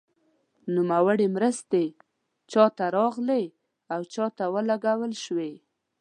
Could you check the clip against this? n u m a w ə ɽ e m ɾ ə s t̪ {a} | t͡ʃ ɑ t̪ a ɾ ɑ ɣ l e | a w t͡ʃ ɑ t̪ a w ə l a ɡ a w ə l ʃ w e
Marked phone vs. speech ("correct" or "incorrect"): incorrect